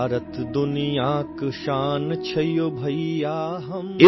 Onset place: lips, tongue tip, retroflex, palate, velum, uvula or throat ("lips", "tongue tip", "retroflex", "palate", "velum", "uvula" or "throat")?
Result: tongue tip